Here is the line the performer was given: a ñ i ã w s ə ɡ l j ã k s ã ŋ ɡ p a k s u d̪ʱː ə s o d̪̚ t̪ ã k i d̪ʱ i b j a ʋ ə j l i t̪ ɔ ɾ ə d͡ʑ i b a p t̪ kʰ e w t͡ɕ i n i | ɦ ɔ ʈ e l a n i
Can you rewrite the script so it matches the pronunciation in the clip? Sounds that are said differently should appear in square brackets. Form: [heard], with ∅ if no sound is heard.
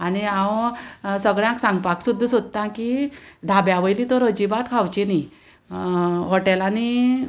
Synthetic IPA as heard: a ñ i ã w s ə ɡ [ɭ] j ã k s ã ŋ ɡ p a k s u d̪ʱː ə s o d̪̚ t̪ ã k i d̪ʱ [a] b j a ʋ ə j l i t̪ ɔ ɾ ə d͡ʑ i b a [∅] t̪ kʰ [a] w t͡ɕ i n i | ɦ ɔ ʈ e l a n i